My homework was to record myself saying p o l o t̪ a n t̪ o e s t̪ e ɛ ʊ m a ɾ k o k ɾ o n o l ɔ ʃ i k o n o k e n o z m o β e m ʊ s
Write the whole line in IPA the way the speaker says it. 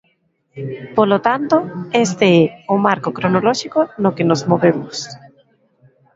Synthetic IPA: p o l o t̪ a n t̪ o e s t̪ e ɛ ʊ m a ɾ k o k ɾ o n o l ɔ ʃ i k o n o k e n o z m o β e m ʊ s